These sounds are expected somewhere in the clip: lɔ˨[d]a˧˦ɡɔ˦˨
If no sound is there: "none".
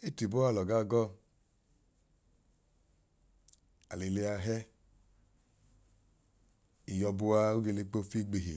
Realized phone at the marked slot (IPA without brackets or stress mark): ɡ